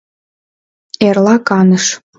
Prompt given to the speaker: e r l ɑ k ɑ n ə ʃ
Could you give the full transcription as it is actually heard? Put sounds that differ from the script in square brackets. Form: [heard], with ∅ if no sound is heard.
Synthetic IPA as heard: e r l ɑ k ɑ n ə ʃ